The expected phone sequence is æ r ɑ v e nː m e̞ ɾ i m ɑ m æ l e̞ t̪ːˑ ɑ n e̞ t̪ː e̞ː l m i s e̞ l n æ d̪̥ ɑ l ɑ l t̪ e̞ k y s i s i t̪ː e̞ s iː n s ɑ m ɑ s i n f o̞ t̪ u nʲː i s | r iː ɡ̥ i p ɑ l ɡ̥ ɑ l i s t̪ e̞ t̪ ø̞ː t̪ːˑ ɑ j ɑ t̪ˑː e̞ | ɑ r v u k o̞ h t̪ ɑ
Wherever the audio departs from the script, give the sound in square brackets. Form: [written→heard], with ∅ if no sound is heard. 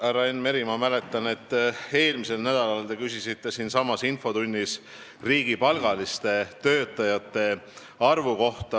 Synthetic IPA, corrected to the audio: æ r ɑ [v→∅] e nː m e̞ ɾ i m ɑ m æ l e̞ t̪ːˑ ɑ n e̞ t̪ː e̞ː l m i s e̞ l n æ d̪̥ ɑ l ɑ l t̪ e̞ k y s i s i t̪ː e̞ s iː n s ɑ m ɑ s i n f o̞ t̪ u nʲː i s | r iː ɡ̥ i p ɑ l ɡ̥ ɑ l i s t̪ e̞ t̪ ø̞ː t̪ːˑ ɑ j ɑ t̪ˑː e̞ | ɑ r v u k o̞ h t̪ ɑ